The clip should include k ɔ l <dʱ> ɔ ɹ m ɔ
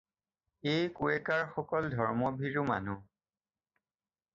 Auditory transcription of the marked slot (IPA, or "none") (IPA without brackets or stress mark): dʱ